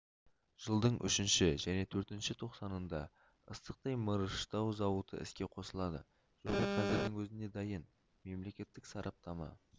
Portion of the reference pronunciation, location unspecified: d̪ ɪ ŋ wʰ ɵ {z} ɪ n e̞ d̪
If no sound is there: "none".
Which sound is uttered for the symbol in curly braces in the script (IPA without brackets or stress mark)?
z